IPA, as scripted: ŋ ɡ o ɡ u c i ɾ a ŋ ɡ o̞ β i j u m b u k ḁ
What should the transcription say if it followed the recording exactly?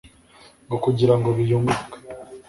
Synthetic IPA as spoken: ŋ ɡ o k u ɟ i ɾ a ŋ ɡ o̞ β i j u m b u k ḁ